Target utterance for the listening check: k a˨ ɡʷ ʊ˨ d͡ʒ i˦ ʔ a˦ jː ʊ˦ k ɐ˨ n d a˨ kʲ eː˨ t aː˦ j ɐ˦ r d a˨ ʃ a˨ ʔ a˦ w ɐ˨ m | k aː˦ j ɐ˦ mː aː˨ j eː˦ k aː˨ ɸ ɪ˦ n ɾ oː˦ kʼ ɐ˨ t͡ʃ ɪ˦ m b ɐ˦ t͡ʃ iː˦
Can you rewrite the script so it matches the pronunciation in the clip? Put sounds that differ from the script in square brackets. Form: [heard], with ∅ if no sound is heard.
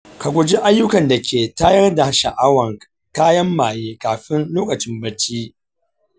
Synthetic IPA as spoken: k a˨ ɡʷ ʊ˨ d͡ʒ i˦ ʔ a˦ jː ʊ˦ k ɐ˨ n d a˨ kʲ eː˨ t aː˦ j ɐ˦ r d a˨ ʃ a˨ ʔ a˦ w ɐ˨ [ŋ] | k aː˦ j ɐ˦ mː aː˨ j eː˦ k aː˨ ɸ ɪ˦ n [l] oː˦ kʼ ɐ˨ t͡ʃ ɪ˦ m b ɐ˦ t͡ʃ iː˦